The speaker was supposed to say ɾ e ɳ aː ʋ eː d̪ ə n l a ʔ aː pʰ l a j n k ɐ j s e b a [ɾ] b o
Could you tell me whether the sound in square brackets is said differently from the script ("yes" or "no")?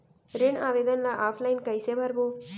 no